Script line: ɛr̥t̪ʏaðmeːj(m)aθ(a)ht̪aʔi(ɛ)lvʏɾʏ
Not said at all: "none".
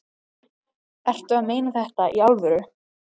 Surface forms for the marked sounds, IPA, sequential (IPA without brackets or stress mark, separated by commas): n, ɛ, a